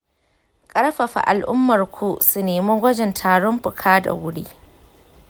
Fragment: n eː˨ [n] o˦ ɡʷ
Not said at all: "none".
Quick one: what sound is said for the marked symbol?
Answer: m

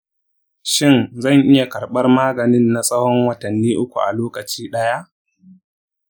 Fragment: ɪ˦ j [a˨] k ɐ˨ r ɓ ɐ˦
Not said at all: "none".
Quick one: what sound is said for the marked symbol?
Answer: a˨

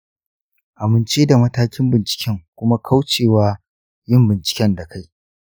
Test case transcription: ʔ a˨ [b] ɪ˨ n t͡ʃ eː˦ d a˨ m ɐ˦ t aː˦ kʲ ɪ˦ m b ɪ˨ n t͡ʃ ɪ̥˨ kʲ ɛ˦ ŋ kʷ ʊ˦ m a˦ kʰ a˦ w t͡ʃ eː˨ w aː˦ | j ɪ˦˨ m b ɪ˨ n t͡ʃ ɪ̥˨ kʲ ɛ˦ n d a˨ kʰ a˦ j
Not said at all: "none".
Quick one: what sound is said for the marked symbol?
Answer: m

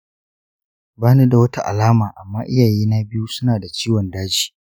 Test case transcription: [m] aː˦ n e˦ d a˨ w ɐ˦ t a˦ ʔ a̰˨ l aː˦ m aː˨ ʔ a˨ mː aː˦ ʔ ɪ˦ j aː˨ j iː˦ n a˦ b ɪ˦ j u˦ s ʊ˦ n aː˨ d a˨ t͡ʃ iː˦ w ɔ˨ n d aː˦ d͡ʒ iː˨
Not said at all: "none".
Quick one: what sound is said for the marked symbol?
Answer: b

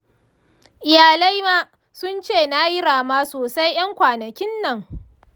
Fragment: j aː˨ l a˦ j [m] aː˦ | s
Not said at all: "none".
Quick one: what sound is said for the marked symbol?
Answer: m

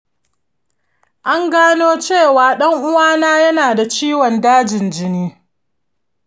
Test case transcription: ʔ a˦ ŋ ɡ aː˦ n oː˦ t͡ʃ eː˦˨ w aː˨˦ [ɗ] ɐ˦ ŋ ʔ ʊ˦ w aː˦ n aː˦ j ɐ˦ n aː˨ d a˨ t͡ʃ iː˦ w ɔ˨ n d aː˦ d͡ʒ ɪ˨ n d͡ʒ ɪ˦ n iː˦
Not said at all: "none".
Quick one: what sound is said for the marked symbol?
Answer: ɗ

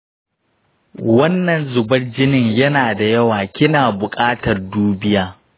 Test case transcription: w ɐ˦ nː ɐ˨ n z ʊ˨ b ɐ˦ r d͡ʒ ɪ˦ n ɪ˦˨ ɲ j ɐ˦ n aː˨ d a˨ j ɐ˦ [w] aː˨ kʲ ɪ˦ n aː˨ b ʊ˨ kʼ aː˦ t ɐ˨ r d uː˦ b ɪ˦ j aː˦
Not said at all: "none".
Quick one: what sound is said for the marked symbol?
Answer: w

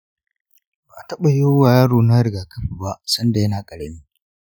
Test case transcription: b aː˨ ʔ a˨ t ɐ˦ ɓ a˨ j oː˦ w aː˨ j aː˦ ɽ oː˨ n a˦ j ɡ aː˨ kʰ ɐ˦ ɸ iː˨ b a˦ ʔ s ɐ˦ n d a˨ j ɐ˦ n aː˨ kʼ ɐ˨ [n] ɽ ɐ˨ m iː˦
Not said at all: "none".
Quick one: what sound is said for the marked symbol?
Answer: none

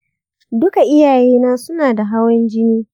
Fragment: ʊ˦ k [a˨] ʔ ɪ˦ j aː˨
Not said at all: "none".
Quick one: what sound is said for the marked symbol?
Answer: a˨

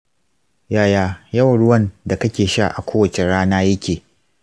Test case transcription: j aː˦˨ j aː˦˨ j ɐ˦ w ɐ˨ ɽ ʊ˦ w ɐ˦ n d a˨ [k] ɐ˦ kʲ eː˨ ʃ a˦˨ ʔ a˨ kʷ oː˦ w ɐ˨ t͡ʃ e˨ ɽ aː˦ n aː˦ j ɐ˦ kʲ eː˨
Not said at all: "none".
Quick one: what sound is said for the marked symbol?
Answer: k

